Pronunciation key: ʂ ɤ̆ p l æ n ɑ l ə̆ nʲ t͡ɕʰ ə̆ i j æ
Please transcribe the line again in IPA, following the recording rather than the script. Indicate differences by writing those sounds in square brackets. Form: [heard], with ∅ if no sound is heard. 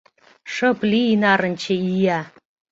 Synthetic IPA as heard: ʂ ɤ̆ p l [i] n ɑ [ɾ] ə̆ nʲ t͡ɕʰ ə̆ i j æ